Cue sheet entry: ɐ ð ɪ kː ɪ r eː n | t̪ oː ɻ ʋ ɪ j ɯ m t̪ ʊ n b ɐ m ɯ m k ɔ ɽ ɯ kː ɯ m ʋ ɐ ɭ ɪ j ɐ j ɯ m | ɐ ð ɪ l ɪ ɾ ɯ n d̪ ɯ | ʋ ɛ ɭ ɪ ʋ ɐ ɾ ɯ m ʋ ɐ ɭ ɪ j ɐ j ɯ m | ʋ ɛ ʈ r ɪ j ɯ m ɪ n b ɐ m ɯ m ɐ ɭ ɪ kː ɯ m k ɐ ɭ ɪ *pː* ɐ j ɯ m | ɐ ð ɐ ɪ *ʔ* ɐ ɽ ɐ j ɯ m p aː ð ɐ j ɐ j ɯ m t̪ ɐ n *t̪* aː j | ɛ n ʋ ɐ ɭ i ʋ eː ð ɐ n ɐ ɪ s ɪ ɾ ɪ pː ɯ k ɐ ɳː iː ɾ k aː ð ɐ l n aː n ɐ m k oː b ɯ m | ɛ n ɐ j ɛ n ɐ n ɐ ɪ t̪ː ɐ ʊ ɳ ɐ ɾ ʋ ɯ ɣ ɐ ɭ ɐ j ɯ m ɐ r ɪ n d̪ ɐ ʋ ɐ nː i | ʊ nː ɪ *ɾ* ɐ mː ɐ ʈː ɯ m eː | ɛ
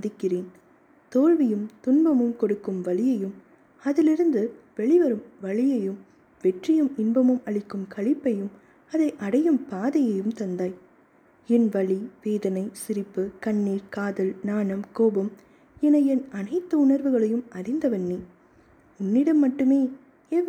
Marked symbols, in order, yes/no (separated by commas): yes, yes, no, no